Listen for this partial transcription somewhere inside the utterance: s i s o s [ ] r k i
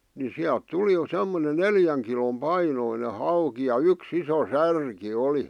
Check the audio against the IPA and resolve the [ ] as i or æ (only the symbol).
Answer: æ